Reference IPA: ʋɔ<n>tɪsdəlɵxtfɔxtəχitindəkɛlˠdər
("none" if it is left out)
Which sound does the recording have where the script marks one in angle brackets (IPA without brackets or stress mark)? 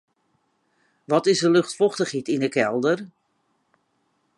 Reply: none